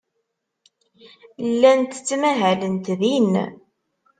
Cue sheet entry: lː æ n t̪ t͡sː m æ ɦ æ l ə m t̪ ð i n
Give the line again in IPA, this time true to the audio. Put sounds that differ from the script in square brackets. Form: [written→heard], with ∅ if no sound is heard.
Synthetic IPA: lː æ n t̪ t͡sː m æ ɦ æ l ə [m→n] t̪ ð i n